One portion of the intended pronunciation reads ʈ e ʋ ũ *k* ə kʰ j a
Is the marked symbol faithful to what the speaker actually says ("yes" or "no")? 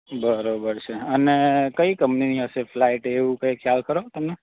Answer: yes